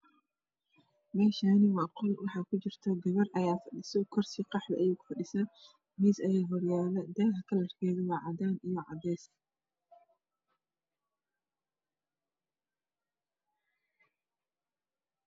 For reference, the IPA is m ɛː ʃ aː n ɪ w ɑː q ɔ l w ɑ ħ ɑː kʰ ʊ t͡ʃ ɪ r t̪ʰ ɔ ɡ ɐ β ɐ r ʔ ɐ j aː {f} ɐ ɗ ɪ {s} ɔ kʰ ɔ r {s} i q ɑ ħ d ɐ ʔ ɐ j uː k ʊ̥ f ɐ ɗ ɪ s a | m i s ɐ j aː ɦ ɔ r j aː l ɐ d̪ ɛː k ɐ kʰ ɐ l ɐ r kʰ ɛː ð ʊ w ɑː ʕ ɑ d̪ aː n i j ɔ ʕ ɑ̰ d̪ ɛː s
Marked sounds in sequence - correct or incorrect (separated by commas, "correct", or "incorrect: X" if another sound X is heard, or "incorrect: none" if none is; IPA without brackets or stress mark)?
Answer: correct, correct, correct